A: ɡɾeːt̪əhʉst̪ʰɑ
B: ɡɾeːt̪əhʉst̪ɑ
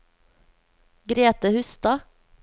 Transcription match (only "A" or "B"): B